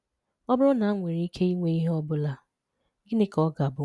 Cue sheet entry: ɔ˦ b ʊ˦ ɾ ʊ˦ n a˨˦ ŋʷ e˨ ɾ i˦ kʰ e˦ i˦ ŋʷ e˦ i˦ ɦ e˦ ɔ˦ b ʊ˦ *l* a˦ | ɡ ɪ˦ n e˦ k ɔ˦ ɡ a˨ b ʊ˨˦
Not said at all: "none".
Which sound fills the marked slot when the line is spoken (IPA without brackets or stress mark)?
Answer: l